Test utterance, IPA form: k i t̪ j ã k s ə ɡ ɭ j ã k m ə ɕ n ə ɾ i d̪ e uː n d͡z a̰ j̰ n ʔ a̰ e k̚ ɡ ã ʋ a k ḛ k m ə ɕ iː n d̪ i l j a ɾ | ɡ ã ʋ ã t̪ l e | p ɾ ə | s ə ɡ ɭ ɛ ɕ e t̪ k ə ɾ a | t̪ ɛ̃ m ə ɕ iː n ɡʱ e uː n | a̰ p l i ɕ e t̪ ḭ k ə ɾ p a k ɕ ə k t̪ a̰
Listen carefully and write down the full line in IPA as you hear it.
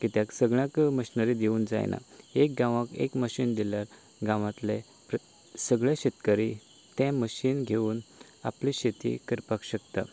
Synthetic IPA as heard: k i t̪ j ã k s ə ɡ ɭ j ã k m ə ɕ n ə ɾ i d̪ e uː n d͡z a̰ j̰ n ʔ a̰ e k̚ ɡ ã ʋ a k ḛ k m ə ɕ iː n d̪ i l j a ɾ | ɡ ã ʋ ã t̪ l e | p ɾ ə | s ə ɡ ɭ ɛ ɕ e t̪ k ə ɾ i | t̪ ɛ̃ m ə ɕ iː n ɡʱ e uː n | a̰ p l i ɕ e t̪ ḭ k ə ɾ p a k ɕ ə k t̪ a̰